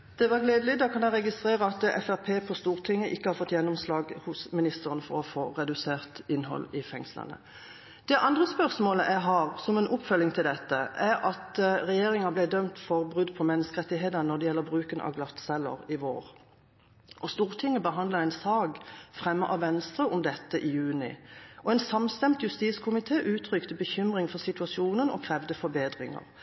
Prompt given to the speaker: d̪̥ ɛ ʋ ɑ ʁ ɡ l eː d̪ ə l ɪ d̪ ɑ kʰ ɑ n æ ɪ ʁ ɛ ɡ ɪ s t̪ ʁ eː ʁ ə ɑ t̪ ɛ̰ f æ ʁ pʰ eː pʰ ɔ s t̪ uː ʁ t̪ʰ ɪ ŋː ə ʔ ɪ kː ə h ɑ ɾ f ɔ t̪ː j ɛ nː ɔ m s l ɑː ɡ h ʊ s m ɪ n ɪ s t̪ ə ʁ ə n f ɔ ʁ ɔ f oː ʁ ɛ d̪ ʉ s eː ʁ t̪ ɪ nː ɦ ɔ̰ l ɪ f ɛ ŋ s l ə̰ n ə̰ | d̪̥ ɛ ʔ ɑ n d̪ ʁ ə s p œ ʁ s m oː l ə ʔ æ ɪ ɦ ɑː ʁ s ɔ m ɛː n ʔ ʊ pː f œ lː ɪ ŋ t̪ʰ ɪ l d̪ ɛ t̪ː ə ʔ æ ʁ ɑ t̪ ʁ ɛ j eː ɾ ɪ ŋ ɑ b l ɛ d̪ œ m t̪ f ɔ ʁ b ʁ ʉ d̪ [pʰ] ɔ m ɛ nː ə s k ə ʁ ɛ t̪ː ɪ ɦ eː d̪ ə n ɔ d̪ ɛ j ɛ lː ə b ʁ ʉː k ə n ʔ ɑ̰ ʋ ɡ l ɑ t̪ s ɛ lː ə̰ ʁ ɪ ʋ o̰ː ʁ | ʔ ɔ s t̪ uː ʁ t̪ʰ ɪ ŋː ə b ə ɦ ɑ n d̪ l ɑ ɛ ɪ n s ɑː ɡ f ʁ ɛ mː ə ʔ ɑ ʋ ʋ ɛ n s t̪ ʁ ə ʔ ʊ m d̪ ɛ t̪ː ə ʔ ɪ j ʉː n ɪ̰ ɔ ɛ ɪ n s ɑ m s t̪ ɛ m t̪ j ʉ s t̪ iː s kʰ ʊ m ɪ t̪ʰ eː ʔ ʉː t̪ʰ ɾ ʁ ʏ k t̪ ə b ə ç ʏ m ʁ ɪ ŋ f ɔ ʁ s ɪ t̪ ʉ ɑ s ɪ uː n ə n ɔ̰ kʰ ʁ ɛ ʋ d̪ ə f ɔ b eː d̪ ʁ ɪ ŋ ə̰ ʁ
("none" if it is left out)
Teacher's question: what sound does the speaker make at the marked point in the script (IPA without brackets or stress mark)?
pʰ